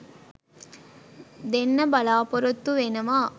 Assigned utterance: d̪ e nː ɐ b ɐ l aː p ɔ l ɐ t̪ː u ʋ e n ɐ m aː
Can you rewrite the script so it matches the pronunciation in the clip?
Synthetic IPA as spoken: d̪ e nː ɐ b ɐ l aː p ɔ ɾ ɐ t̪ː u ʋ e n ɐ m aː